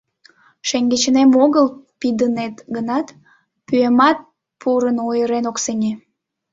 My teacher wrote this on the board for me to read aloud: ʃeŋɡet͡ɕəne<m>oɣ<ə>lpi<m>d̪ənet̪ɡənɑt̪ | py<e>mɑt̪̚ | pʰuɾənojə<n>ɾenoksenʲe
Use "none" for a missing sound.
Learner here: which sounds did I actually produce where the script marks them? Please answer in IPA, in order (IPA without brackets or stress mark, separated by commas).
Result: m, ə, none, e, none